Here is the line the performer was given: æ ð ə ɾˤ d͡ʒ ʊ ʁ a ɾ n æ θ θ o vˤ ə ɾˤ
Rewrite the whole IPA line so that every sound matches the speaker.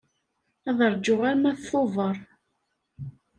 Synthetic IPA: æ ð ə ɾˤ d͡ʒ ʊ ʁ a ɾ m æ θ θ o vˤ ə ɾˤ